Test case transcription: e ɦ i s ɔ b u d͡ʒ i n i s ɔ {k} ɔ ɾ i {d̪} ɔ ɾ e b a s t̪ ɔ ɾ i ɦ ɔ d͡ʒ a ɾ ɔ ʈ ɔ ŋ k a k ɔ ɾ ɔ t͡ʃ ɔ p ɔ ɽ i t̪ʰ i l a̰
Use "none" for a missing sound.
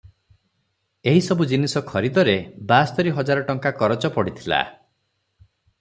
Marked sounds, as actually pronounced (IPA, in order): kʰ, d̪

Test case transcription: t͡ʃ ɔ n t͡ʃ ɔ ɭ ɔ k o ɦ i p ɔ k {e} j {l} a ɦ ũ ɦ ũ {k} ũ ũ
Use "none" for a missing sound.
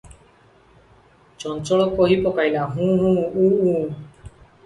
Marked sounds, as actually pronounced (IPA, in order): a, l, none

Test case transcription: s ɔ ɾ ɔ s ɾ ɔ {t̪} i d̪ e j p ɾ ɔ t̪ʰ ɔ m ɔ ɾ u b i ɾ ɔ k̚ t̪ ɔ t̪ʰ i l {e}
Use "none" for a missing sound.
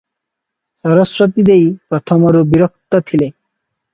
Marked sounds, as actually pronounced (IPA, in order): t̪, e

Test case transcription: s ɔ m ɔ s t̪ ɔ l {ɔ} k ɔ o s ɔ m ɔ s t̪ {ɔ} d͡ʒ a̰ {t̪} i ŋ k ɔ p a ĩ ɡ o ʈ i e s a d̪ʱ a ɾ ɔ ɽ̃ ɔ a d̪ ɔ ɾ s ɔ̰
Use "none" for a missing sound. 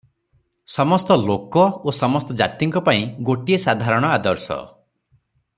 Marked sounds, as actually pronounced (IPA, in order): o, ɔ, t̪

